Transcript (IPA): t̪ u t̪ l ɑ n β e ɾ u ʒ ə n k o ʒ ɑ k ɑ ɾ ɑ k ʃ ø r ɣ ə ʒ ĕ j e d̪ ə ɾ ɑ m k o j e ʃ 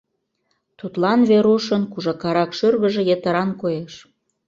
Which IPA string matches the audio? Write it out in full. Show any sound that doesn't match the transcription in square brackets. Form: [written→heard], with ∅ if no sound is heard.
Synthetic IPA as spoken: t̪ u t̪ l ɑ n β e ɾ u [ʒ→ʃ] ə n k [o→u] ʒ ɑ k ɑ ɾ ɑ k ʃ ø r ɣ ə ʒ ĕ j e [d̪→t̪] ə ɾ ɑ [m→n] k o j e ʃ